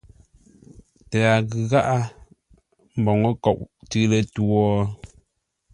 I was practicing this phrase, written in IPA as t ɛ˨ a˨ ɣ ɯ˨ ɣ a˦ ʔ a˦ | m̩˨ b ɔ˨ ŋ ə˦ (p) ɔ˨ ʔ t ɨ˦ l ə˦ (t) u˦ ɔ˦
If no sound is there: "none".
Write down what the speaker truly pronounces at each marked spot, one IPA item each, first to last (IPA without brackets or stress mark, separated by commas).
k, t